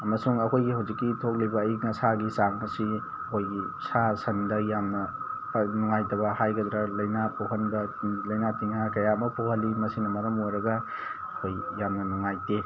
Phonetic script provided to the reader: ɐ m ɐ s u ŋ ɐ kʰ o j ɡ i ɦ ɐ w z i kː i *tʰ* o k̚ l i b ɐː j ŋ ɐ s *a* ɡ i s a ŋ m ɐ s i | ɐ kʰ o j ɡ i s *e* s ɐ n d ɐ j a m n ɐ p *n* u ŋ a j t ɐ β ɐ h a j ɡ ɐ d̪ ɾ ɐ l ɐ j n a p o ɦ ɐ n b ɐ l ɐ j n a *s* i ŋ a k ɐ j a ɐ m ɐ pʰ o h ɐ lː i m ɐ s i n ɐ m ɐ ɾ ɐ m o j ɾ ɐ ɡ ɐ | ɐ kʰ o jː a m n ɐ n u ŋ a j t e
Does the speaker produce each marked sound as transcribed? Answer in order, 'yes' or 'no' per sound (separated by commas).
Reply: yes, yes, no, yes, no